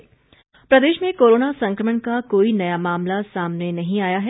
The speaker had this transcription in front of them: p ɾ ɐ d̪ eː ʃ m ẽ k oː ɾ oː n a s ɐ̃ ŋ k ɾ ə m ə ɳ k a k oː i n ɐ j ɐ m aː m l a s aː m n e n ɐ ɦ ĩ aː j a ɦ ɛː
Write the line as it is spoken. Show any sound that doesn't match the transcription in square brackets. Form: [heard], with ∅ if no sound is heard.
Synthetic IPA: p ɾ ɐ d̪ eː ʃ m ẽ k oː ɾ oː n a s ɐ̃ ŋ k ɾ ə m ə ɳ k a k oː i n ɐ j [a] m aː m l a s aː m n e n ɐ ɦ ĩ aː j a ɦ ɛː